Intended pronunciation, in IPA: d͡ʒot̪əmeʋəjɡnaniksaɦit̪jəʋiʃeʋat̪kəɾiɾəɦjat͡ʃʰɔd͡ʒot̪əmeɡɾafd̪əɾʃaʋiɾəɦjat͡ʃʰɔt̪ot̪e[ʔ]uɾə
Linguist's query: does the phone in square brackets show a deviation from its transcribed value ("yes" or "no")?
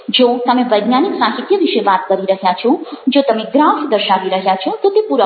yes